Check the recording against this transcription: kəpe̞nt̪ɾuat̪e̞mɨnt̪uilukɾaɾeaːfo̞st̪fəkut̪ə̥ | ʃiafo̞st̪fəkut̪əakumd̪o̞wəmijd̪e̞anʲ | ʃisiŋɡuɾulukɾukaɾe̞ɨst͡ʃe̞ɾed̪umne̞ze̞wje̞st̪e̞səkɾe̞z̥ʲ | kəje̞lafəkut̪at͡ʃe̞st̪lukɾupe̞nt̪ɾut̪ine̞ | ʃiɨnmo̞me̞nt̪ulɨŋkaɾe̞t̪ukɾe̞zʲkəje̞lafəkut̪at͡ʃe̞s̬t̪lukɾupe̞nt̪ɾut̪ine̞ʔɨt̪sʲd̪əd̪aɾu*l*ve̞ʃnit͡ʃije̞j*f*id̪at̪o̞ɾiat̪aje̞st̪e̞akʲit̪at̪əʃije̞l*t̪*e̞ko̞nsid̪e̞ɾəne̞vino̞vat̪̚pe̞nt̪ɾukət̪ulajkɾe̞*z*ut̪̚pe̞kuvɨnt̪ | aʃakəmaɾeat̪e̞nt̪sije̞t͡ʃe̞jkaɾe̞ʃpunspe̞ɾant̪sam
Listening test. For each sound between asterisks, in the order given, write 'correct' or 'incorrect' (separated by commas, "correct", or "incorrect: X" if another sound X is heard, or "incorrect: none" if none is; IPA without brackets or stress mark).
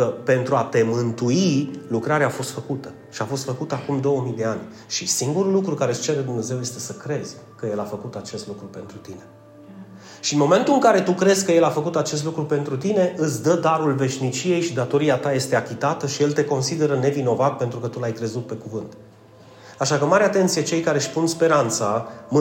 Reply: correct, incorrect: ʃ, correct, correct